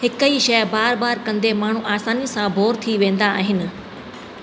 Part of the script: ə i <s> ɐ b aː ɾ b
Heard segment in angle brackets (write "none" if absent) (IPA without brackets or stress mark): ʃ